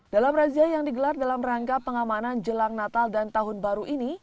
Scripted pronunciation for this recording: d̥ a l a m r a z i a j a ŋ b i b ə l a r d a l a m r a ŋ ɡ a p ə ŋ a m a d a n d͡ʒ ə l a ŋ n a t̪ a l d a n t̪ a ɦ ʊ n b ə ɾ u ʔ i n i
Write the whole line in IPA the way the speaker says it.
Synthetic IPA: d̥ a l a m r a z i a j a ŋ d i ɡ ə l a r d a l a m r a ŋ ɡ a p ə ŋ a m a n a n d͡ʒ ə l a ŋ n a t̪ a l d a n t̪ a ɦ ʊ n b a ɾ u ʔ i n i